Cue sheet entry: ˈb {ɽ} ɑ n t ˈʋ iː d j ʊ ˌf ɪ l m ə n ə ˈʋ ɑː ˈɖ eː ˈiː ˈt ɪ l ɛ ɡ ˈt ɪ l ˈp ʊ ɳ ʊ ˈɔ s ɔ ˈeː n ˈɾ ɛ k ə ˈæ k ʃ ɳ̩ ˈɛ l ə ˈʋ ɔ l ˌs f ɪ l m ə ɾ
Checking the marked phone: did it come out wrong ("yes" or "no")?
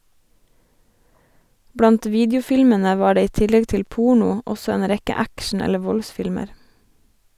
no